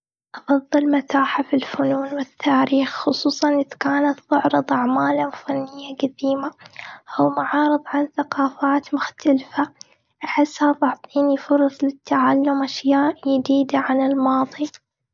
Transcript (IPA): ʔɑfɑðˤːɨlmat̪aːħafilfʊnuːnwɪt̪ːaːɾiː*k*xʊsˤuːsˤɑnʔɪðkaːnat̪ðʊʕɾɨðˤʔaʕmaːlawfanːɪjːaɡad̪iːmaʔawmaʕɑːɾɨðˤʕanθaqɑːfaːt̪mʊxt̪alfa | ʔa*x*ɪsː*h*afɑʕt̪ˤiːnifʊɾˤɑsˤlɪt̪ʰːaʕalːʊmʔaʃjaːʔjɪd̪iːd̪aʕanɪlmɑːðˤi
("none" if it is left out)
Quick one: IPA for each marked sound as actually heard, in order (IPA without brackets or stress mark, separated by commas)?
x, ħ, h